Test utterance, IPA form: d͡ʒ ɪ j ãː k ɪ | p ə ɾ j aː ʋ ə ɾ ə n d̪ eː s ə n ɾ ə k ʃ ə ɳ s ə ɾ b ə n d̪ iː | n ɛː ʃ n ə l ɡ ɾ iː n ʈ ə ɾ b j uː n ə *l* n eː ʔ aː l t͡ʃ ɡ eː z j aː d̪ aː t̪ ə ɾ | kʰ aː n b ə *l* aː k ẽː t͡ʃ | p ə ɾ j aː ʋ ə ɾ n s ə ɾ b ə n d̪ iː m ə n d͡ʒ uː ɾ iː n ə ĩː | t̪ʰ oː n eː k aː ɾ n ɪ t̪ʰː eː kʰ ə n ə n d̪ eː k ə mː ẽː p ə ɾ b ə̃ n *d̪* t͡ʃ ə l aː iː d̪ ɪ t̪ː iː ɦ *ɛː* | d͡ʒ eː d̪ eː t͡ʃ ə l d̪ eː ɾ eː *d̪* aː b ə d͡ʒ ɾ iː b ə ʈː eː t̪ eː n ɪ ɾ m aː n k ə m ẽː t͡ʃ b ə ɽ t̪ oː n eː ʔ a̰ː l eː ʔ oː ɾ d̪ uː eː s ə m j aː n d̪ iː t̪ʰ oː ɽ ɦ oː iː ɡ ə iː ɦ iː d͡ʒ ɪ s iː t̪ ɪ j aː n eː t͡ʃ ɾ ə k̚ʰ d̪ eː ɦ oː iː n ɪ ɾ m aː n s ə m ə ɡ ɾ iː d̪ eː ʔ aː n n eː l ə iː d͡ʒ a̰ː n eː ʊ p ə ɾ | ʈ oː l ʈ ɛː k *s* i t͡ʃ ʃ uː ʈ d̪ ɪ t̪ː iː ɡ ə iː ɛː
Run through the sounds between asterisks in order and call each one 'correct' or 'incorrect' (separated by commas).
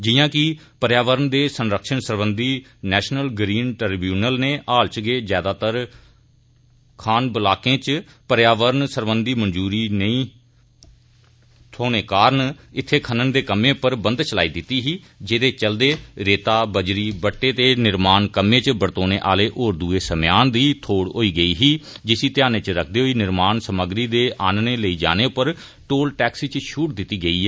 correct, correct, correct, incorrect, incorrect, correct